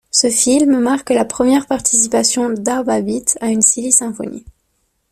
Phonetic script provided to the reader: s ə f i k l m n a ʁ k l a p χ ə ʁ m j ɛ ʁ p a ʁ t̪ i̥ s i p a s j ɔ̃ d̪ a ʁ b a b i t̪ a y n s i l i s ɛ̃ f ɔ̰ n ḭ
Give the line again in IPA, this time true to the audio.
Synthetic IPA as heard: s ə f i l m m a ʁ k l a p χ ə m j ɛ ʁ p a ʁ t̪ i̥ s i p a s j ɔ̃ d̪ a ʁ b a b i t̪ a y n s i l i s ɛ̃ f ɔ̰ n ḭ